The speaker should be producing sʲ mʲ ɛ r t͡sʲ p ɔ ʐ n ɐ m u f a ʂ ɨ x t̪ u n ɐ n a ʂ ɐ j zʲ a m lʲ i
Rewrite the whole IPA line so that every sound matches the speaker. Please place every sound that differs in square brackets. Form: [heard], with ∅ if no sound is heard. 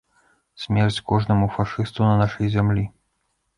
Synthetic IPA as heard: sʲ mʲ ɛ r t͡sʲ [k] ɔ ʐ n ɐ m u f a ʂ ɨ [s] t̪ u n ɐ n a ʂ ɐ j zʲ a m lʲ i